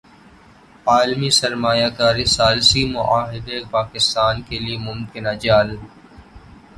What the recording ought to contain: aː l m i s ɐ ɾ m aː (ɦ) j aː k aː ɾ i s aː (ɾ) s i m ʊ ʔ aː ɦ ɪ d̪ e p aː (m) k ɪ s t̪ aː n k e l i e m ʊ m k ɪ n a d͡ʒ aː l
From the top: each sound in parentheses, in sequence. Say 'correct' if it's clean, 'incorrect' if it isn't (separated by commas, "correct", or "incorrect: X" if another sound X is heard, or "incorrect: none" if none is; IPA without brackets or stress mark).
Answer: incorrect: none, incorrect: l, incorrect: none